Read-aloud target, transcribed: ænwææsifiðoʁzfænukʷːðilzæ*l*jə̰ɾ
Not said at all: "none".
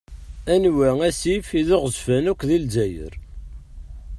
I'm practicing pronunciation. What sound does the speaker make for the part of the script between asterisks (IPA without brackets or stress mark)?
none